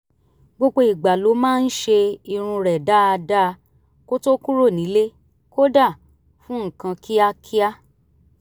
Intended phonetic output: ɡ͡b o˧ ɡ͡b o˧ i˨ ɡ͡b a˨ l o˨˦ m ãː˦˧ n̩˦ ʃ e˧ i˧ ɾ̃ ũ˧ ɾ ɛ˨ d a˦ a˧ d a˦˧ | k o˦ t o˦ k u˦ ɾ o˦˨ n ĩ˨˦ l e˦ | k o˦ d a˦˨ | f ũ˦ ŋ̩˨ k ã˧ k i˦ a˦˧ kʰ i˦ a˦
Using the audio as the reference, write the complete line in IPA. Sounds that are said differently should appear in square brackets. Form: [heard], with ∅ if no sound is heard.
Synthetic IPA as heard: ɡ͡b o˧ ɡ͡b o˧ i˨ ɡ͡b a˨ l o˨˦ m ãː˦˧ n̩˦ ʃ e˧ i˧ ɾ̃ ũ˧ ɾ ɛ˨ d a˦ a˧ d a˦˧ | k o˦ t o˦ k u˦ ɾ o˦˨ n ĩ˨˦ l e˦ | k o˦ d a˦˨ | f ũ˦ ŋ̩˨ k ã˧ k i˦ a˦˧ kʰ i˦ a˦